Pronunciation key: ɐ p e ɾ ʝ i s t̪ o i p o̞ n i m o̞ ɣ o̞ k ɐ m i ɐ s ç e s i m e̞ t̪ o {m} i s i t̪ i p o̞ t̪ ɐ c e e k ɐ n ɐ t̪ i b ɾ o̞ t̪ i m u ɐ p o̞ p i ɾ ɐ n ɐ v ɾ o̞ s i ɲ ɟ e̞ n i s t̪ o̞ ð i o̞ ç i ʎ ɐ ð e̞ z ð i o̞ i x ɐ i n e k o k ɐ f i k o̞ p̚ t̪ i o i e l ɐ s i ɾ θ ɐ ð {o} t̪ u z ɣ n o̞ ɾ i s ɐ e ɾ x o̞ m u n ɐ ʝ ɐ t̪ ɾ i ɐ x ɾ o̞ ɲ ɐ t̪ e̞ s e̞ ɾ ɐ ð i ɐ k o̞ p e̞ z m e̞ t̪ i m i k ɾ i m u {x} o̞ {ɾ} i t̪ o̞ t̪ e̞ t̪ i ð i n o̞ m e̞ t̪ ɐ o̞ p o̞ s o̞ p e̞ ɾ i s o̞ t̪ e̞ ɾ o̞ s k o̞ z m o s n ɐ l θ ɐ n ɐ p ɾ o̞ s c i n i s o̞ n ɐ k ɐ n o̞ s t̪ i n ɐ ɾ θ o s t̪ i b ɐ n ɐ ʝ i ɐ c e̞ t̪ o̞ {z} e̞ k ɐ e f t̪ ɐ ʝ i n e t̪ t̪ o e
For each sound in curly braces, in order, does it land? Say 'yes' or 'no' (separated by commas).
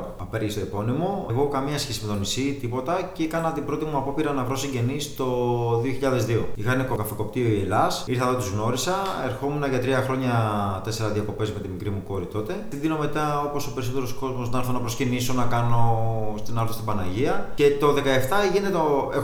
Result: no, yes, no, yes, no